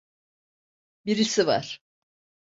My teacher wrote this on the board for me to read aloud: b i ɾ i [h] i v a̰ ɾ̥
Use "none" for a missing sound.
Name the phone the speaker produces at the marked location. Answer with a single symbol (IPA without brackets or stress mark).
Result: s